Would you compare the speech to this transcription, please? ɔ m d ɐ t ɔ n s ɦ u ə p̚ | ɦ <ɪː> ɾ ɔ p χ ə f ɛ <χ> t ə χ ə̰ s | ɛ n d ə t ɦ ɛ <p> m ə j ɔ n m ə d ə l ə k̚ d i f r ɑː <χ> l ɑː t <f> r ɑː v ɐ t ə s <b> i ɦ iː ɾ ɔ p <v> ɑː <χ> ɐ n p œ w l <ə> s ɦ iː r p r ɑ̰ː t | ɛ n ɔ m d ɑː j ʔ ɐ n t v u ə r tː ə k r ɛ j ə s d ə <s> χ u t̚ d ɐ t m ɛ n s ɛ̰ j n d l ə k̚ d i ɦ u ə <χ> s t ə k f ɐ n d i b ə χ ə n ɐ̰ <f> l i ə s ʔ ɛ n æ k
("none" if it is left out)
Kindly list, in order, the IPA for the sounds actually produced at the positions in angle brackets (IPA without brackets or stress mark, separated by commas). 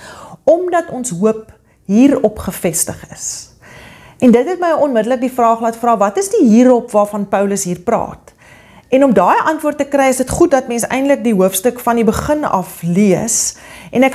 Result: iː, s, t, χ, f, d, v, f, ə, t, f, f